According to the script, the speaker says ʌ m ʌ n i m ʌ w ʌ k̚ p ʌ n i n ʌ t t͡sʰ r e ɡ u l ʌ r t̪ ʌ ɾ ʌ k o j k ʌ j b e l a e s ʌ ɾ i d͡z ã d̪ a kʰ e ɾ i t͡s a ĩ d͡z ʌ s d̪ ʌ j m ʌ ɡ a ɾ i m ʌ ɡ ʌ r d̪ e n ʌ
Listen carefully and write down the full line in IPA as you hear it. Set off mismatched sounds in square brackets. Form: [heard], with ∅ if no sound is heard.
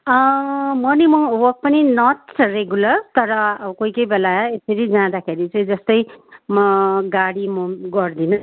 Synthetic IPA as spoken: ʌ m ʌ n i m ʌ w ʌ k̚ p ʌ n i n ʌ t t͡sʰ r e ɡ u l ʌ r t̪ ʌ ɾ ʌ k o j k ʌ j b e l a e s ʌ ɾ i d͡z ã d̪ a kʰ e ɾ i t͡s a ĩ d͡z ʌ s [t̪] ʌ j m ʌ ɡ a [ɽ] i m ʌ ɡ ʌ r d̪ [i] n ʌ